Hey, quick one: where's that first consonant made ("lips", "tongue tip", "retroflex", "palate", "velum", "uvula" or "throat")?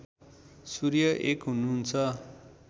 tongue tip